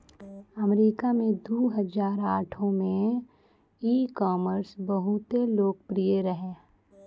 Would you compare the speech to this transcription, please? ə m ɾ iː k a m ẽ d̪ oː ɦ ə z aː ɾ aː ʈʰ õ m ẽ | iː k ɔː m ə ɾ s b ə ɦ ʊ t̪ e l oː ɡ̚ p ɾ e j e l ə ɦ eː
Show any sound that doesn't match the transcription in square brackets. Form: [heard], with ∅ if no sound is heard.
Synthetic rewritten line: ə m ɾ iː k a m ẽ d̪ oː ɦ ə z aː ɾ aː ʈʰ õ m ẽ | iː k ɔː m ə ɾ s b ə ɦ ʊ t̪ e l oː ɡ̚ p ɾ [i] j e [ɾ] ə ɦ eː

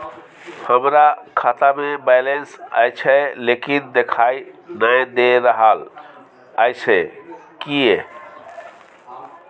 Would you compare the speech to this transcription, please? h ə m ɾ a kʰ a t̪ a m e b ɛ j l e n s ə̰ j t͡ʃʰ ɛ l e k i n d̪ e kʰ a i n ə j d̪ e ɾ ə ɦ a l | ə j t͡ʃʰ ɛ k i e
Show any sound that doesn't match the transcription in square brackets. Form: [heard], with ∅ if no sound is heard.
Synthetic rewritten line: h ə m ɾ a kʰ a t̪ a m e b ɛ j l e n s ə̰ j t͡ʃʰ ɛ l e k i n d̪ e kʰ a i n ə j d̪ e ɾ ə ɦ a l | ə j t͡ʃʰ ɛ k i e

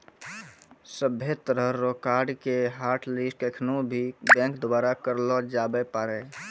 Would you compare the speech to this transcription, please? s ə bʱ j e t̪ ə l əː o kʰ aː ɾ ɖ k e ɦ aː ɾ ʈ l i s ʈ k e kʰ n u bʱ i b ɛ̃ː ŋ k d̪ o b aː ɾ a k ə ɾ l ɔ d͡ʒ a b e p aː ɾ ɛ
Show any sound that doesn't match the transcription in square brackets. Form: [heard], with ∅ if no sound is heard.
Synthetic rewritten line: s ə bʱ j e t̪ ə [ɾ] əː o [k] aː ɾ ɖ k e ɦ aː ɾ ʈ l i s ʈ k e kʰ n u bʱ i b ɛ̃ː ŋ k d̪ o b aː ɾ a k ə ɾ l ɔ d͡ʒ a b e p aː ɾ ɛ

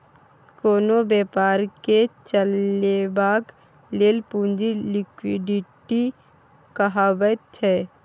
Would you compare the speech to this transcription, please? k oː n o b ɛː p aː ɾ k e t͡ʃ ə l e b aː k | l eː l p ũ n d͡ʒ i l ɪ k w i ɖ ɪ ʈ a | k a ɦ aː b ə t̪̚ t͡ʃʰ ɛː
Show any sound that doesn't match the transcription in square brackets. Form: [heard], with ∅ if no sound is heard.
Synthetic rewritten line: k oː n o b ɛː p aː ɾ k e t͡ʃ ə l e b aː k | l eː l p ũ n d͡ʒ i l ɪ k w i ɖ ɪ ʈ [i] | k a ɦ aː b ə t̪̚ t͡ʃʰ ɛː

